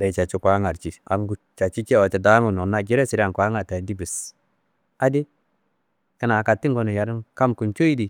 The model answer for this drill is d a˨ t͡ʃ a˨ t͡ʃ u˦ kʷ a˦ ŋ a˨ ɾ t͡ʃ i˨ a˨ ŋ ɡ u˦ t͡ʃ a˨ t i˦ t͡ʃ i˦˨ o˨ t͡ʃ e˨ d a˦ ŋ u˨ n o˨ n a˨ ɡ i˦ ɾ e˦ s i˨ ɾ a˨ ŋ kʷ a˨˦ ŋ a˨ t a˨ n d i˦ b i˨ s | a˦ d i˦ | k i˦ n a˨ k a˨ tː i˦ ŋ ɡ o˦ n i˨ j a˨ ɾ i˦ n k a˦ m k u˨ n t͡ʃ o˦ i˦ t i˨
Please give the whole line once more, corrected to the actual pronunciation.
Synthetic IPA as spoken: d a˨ t͡ʃ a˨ t͡ʃ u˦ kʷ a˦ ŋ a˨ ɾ t͡ʃ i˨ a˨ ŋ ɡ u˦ t͡ʃ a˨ t͡ʃ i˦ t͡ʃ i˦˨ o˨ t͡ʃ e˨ d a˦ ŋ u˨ n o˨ n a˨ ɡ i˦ ɾ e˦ s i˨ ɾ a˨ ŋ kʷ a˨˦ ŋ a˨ t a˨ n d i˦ b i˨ s | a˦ d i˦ | k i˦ n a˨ k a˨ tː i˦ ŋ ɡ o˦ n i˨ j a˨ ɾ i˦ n k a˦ m k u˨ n t͡ʃ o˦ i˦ d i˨